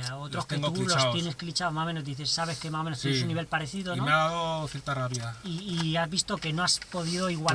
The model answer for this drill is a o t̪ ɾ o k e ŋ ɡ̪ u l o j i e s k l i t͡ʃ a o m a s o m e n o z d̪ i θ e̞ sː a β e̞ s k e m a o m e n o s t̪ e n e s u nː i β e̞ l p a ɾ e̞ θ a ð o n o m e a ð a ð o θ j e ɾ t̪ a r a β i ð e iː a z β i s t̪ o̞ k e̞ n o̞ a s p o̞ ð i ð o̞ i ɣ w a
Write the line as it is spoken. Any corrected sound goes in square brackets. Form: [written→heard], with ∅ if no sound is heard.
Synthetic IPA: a o t̪ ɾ o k e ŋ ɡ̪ u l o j [i→e] e s k l i t͡ʃ a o m a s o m e n o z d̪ i θ e̞ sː a β e̞ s k e m a o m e n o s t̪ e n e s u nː i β e̞ l p a ɾ e̞ θ [a→i] ð o n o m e a ð a ð o θ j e ɾ t̪ a r a β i ð [e→a] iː a z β i s t̪ o̞ k e̞ n o̞ a s p o̞ ð i ð o̞ i ɣ w a